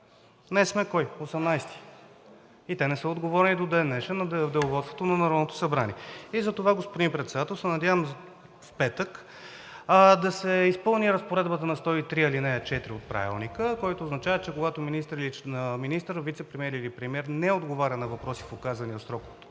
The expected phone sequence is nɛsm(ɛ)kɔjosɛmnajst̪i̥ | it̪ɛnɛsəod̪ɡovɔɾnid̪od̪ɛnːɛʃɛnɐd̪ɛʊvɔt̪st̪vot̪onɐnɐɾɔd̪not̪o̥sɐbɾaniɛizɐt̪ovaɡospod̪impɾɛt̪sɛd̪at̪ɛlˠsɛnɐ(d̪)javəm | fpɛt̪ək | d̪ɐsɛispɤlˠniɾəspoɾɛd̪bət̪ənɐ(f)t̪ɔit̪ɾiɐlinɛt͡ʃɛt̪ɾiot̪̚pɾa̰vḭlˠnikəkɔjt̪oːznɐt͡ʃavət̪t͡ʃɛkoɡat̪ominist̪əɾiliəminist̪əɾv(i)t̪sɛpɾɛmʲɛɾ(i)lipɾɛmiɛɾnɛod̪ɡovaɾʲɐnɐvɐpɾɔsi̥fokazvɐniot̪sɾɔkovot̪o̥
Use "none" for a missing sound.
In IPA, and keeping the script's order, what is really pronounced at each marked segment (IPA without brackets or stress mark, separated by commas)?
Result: ɛ, d̪, s, i, i